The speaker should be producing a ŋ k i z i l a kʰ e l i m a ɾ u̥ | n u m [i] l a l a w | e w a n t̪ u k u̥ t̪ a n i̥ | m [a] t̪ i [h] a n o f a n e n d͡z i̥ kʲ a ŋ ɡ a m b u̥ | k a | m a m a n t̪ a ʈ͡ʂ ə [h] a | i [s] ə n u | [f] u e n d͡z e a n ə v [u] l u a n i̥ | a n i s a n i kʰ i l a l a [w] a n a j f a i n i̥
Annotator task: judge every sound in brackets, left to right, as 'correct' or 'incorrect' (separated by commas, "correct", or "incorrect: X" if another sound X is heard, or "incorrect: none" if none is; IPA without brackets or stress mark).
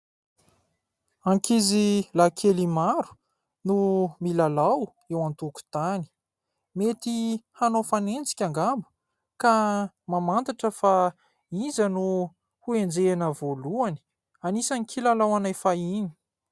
correct, incorrect: e, correct, incorrect: f, incorrect: z, incorrect: h, incorrect: o, correct